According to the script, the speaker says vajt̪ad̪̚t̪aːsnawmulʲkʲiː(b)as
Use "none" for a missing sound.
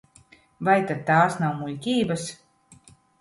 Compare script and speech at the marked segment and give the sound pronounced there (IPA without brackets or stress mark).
b